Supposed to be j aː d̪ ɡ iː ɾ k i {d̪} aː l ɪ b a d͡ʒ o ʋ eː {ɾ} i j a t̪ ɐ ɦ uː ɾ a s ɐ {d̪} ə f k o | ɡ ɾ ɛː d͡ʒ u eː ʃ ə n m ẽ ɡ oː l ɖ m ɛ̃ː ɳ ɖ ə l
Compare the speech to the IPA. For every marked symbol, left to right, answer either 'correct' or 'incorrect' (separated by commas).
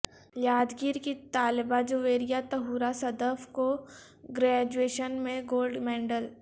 incorrect, correct, correct